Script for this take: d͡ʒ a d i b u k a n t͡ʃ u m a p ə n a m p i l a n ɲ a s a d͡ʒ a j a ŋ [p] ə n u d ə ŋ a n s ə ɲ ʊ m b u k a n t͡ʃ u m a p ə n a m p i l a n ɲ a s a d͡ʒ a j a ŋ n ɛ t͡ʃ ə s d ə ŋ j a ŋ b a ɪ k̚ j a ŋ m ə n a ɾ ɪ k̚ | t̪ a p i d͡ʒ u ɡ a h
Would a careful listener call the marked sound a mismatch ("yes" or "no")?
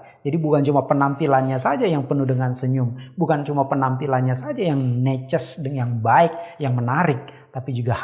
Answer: no